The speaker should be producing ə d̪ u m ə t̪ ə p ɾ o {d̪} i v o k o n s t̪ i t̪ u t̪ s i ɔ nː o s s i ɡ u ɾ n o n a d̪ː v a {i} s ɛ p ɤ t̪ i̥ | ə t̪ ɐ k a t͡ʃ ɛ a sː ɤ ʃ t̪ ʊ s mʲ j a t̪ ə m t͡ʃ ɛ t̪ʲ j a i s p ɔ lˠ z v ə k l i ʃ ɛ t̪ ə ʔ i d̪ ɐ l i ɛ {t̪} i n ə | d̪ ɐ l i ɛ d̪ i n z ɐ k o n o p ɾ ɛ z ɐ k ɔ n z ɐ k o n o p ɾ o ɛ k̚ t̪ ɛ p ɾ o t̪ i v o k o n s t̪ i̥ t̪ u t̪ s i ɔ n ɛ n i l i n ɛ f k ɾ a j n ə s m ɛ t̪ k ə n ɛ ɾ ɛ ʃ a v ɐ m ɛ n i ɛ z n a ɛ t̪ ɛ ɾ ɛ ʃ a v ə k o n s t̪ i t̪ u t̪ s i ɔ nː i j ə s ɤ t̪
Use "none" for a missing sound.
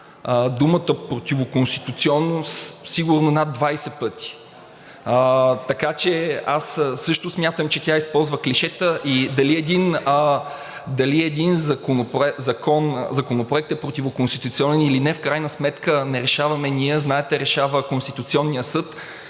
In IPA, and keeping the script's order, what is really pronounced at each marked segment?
t̪, j, d̪

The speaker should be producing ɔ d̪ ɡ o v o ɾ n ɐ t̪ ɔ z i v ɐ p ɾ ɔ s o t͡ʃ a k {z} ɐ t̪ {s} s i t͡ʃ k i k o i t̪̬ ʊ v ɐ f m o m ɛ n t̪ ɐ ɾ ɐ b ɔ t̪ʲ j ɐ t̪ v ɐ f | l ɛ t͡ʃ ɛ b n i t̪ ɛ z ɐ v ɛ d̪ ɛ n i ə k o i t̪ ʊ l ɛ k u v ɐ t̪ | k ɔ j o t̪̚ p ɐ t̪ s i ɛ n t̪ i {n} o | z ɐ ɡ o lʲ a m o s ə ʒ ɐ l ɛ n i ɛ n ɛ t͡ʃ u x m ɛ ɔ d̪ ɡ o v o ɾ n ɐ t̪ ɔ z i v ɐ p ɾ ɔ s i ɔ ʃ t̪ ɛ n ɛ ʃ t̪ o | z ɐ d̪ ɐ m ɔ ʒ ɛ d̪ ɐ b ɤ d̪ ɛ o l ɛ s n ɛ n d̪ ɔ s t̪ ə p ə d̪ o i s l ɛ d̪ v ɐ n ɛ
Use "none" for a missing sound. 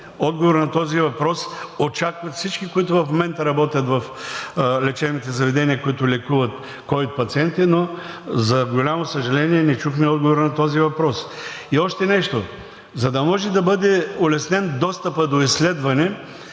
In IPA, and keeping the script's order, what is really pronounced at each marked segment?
v, f, n

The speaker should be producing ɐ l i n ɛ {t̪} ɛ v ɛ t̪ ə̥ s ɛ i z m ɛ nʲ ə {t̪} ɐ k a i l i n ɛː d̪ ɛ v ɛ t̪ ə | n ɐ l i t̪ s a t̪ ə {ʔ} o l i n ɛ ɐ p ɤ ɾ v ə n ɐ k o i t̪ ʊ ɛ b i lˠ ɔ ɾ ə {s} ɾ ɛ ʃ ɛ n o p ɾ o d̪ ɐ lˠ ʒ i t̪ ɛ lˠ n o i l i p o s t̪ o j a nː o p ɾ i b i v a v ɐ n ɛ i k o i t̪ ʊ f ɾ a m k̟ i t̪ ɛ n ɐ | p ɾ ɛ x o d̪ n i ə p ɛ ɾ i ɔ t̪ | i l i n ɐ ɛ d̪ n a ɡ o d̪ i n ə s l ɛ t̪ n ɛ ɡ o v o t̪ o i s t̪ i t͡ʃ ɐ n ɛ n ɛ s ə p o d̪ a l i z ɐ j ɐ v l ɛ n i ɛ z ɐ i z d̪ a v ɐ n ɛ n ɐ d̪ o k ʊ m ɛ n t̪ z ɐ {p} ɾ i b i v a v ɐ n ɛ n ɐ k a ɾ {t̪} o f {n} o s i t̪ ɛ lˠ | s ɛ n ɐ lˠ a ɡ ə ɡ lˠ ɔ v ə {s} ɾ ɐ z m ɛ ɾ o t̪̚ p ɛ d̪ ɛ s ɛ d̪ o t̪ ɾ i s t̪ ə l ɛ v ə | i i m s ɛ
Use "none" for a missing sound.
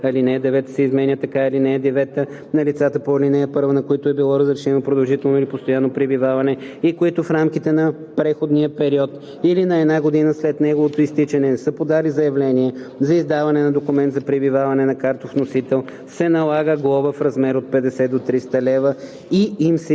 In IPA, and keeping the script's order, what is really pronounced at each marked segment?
d̪, t̪, p, z, p, t̪, n, f

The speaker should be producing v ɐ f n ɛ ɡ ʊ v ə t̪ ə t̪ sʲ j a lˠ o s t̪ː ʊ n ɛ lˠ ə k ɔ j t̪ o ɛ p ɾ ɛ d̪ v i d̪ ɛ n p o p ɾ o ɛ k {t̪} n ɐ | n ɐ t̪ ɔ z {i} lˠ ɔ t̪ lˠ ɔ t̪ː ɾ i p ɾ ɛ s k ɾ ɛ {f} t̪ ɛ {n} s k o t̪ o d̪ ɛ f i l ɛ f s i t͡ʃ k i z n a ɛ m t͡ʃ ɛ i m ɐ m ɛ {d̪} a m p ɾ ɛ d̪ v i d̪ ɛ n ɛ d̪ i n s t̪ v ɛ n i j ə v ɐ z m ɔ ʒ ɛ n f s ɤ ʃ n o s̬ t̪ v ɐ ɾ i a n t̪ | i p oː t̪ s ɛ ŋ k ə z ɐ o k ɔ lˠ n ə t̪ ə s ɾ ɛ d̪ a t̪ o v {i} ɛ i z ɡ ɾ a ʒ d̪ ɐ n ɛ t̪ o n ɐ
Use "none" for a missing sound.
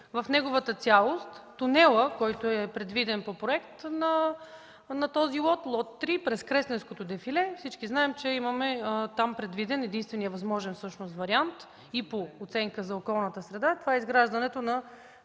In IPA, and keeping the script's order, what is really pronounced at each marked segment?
t̪, i, s, n, t̪, a

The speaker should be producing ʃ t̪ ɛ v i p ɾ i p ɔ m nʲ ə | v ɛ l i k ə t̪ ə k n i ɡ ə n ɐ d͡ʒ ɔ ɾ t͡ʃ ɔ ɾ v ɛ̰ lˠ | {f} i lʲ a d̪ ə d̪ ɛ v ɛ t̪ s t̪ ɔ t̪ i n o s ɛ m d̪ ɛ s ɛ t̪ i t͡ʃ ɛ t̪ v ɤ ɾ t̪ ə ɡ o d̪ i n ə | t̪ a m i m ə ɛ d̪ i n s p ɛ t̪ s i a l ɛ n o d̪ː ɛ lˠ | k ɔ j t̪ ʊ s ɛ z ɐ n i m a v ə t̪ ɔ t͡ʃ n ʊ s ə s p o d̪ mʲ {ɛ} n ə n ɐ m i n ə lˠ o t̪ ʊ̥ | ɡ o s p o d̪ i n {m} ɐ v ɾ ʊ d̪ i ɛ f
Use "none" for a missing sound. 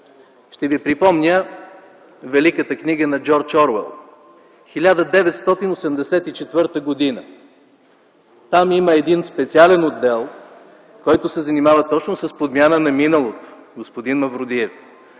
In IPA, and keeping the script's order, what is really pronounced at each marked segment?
x, a, m

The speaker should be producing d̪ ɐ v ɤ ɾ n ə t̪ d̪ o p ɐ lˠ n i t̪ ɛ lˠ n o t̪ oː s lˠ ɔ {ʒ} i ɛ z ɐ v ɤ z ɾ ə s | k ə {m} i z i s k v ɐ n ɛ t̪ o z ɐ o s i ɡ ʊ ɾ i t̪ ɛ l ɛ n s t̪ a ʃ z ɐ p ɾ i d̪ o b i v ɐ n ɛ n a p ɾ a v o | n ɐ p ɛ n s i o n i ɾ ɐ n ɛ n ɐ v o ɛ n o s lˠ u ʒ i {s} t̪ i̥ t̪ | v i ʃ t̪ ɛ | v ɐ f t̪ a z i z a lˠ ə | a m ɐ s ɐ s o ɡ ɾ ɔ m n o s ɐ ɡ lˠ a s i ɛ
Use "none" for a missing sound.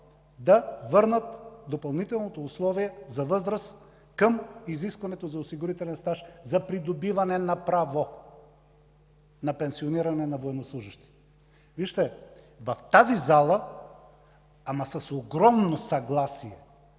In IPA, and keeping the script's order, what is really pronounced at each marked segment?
v, m, ʃ

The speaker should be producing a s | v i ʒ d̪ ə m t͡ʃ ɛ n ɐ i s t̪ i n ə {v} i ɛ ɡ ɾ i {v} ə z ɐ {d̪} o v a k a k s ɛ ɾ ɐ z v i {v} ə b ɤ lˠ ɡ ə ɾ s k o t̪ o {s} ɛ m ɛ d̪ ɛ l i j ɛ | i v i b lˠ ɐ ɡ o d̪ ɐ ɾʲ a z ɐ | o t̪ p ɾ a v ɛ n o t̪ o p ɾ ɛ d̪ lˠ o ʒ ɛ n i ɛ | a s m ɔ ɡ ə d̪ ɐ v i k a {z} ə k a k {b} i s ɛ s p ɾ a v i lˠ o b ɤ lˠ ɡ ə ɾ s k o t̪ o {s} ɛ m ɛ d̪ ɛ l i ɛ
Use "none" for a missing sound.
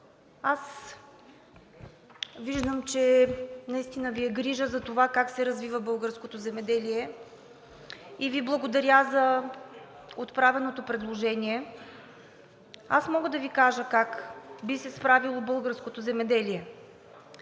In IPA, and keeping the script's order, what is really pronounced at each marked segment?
v, ʒ, t̪, v, z, ʒ, b, z

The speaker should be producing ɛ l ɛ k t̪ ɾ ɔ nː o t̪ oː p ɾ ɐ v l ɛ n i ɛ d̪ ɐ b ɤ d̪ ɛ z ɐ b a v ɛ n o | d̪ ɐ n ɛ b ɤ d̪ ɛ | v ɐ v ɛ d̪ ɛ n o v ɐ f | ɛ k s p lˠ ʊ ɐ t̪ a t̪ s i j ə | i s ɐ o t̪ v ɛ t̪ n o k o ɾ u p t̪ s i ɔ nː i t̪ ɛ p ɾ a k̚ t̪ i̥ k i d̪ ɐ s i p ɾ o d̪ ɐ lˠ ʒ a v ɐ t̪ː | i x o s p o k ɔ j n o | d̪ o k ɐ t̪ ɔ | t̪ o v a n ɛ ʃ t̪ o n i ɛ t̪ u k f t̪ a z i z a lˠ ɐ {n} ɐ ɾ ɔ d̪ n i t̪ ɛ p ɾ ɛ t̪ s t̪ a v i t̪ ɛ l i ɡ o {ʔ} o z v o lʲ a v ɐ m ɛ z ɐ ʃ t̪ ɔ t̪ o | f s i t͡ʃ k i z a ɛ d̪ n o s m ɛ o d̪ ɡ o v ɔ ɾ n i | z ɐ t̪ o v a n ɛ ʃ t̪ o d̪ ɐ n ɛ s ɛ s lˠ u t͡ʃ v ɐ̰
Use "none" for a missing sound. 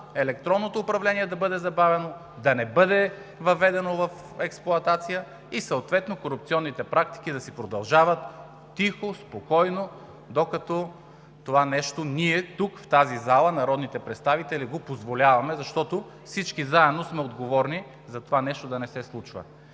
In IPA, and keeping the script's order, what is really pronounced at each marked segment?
n, p

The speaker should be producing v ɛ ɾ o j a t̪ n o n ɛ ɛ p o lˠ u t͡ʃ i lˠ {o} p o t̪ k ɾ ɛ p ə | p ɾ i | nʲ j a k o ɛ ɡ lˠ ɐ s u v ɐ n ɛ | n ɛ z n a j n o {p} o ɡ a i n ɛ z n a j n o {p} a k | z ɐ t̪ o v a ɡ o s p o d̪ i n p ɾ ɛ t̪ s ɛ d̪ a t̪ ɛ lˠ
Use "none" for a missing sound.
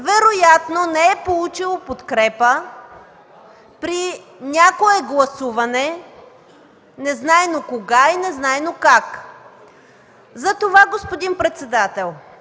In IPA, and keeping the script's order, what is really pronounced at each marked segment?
o, k, k

